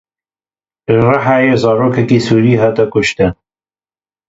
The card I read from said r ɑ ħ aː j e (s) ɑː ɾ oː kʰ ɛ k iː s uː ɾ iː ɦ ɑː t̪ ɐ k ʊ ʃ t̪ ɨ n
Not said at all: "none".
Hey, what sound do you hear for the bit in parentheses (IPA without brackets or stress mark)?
z